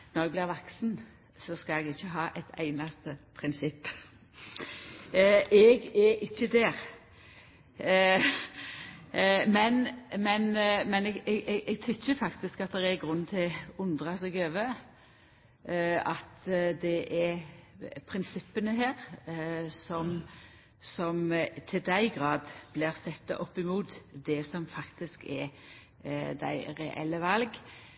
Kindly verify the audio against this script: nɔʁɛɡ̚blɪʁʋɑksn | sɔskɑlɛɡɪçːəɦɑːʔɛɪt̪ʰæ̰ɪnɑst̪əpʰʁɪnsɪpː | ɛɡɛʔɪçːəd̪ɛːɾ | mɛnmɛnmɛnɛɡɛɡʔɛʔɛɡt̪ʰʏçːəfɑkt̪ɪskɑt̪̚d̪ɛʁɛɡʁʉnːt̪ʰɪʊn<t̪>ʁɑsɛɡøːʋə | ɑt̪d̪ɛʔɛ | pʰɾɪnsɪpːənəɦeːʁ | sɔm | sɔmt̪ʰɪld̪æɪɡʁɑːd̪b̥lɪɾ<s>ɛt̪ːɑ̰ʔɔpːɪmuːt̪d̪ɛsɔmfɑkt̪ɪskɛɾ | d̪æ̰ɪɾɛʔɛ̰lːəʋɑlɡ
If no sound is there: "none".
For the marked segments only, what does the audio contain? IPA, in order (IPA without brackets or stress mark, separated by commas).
d̪, s